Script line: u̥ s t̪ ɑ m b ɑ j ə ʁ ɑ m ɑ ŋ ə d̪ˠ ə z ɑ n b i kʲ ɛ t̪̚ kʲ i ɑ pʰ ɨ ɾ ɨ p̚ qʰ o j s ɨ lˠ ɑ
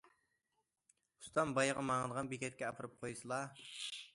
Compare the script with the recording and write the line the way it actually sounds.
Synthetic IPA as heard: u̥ s t̪ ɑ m b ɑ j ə ʁ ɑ m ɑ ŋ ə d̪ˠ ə ʁ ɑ n b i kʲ ɛ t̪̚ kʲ ɛ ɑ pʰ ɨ ɾ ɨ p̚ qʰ o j s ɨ lˠ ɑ